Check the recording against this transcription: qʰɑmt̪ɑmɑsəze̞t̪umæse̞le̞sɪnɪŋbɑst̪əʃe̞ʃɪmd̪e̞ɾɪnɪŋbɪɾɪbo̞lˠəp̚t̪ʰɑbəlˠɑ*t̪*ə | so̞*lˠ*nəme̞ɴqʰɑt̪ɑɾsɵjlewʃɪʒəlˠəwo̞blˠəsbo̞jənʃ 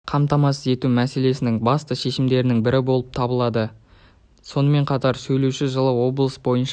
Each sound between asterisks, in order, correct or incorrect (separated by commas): incorrect, incorrect